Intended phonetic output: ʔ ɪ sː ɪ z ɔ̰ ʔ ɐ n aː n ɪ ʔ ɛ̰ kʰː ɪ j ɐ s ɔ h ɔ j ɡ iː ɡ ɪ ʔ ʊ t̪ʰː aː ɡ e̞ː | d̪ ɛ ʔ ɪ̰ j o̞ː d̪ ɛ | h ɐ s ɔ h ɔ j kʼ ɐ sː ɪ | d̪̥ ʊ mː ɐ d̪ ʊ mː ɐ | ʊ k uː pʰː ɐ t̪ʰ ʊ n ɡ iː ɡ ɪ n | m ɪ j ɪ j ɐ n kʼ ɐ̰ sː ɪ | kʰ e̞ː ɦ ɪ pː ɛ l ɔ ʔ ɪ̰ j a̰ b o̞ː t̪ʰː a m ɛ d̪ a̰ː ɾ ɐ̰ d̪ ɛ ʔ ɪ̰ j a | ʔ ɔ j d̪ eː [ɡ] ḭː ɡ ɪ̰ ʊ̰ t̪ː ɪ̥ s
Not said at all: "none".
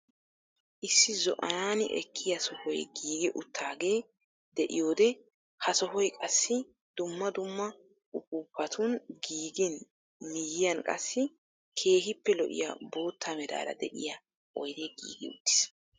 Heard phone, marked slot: ɡ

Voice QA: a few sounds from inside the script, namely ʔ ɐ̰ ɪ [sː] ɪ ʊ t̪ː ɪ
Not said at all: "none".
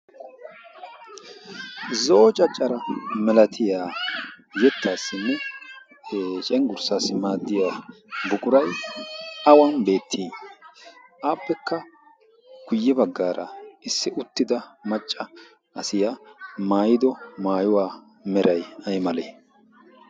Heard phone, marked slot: sː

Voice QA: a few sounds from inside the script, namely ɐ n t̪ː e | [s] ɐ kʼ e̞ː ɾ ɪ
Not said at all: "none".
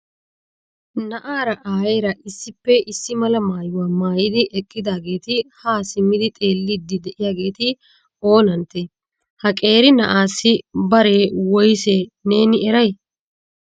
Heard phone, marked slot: h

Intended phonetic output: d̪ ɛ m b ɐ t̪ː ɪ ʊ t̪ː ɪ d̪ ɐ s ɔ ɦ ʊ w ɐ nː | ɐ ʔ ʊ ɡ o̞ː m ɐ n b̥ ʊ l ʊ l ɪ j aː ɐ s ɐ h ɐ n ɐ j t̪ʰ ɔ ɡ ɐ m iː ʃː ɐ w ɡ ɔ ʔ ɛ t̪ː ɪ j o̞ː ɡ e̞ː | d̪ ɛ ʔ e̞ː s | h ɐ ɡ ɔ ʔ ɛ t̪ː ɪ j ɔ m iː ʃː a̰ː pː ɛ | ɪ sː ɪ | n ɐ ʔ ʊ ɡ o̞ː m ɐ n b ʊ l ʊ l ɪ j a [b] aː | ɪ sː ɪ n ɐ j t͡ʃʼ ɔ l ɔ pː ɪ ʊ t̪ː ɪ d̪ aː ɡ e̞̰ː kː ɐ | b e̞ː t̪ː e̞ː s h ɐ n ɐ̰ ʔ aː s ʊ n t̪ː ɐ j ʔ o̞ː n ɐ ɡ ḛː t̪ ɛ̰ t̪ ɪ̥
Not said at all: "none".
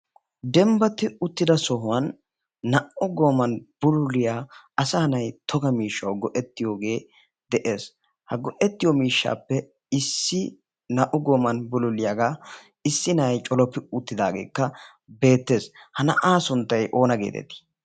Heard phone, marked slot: ɡ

